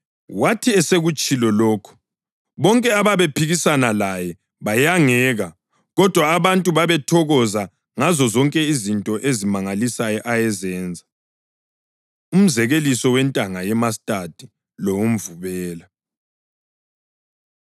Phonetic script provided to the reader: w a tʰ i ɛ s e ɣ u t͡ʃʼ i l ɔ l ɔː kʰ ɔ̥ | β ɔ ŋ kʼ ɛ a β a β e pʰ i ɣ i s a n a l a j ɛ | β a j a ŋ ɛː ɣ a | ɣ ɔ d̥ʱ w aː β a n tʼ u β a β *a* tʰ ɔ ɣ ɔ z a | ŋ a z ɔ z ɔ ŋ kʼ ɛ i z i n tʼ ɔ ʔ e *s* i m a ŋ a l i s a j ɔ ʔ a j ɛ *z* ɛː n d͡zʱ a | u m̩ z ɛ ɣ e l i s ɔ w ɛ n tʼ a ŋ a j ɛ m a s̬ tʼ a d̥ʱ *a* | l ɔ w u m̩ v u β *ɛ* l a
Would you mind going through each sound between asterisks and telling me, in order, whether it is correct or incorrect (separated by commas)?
incorrect, incorrect, correct, incorrect, incorrect